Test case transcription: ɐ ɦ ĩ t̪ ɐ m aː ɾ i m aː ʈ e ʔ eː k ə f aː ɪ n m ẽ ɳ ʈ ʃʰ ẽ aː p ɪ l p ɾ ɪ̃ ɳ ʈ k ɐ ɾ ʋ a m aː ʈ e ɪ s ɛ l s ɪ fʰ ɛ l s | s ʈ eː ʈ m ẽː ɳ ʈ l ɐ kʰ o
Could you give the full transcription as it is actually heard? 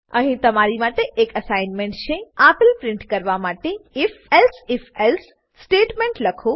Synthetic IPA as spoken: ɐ ɦ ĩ t̪ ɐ m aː ɾ i m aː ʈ e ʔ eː k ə s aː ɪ n m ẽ ɳ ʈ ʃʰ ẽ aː p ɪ l p ɾ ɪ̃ ɳ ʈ k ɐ ɾ ʋ a m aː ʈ e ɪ f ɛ l s ɪ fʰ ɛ l s | s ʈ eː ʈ m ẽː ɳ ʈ l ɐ kʰ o